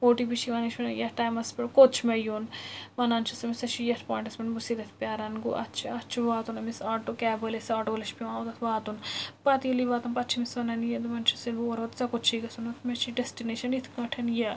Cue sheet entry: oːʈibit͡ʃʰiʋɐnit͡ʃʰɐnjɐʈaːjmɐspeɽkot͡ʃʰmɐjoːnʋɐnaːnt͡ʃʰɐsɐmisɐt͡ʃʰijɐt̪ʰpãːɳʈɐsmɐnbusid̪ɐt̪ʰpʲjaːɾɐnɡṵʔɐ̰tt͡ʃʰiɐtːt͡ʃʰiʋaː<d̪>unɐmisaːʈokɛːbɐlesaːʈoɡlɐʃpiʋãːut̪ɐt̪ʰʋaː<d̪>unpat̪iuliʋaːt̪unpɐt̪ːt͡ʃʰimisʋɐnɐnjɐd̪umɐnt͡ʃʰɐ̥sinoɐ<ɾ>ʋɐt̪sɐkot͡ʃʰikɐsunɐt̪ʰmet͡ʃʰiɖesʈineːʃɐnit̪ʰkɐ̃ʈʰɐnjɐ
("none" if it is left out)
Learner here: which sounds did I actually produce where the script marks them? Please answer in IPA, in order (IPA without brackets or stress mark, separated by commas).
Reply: t̪, t̪, ɾ